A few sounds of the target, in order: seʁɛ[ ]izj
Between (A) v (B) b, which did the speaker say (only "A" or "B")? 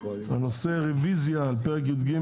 A